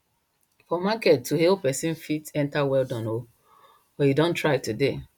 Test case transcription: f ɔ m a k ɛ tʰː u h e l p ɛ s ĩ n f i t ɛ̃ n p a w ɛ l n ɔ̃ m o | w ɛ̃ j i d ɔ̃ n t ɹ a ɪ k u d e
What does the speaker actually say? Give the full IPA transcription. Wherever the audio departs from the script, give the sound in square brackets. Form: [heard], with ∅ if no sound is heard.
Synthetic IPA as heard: f ɔ m a k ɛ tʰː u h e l p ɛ s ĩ n f i t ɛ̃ n [t] a w ɛ l [d] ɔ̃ [n] o | w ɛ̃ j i d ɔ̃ n t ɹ a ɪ [t] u d e